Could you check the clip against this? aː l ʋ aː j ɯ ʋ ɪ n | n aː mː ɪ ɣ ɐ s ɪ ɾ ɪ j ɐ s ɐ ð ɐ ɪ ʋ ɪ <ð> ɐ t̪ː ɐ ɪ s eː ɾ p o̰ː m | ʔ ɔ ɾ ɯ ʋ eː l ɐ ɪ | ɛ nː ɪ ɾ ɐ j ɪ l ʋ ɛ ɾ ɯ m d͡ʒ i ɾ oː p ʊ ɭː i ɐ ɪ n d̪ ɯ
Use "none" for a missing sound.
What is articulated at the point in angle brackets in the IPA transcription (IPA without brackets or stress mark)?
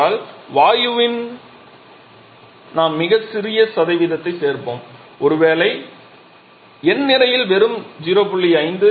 ð